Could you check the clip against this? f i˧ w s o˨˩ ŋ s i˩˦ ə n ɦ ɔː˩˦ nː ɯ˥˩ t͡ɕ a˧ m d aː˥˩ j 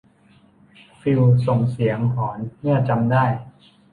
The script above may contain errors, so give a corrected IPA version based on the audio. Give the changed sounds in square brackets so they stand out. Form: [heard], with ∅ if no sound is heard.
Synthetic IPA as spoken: f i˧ w s o˨˩ ŋ s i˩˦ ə [ŋ] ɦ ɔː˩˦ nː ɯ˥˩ t͡ɕ a˧ m d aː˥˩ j